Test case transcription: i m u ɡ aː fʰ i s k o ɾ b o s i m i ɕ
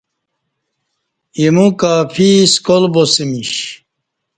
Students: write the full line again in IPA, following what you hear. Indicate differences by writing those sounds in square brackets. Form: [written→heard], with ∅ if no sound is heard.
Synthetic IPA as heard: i m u [ɡ→k] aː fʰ i s k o [ɾ→l] b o s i m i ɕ